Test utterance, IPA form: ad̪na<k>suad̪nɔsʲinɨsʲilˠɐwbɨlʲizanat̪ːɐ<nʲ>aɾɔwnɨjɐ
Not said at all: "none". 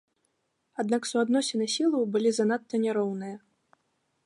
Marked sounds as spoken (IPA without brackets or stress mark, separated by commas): k, nʲ